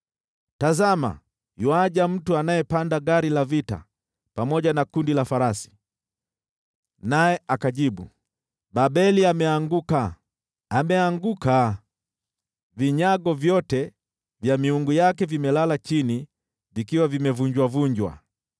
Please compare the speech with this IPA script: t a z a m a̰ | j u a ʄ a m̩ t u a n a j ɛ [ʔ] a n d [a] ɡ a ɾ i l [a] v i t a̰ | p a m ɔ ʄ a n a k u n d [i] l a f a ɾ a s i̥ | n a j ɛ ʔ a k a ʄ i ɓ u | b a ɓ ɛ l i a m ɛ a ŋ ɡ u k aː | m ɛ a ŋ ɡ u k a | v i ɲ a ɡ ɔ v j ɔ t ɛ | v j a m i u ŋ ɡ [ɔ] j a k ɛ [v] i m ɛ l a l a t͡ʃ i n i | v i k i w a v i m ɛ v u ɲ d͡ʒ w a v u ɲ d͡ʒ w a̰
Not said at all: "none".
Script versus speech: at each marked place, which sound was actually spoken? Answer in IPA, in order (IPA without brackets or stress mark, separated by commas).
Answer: p, a, a, i, u, v